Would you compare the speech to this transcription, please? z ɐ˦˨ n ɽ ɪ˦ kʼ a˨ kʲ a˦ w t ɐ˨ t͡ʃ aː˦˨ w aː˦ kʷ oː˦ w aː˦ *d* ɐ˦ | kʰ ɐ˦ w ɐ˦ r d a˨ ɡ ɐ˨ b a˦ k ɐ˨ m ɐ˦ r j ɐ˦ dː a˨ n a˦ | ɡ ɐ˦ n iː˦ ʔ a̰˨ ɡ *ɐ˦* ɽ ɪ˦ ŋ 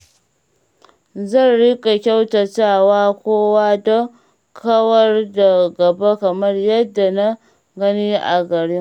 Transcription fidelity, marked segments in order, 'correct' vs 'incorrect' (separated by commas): correct, incorrect